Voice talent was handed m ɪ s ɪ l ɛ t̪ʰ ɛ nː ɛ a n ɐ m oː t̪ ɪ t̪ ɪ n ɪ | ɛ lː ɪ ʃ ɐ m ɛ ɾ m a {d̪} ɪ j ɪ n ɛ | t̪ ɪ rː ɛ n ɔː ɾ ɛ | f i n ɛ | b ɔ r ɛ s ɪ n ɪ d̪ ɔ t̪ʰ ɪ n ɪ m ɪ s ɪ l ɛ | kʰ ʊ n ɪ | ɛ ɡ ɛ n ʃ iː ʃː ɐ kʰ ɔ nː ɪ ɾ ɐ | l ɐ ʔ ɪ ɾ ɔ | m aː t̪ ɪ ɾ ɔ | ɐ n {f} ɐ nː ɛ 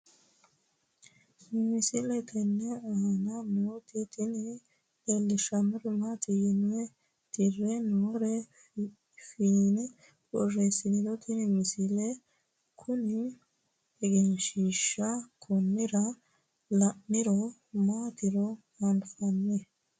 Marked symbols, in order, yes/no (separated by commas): no, yes